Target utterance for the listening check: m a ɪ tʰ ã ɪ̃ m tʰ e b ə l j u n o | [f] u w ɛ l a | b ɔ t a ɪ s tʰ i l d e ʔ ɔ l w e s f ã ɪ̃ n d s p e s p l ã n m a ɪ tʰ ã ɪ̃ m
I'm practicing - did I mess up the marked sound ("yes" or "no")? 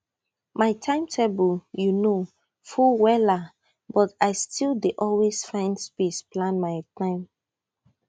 no